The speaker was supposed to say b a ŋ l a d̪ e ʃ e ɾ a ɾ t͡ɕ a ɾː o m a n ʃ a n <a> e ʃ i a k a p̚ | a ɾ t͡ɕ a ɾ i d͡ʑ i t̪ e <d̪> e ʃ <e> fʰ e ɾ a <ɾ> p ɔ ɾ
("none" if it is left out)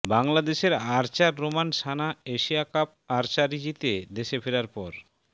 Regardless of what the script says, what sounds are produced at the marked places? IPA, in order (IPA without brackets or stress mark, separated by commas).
a, d̪, e, ɾ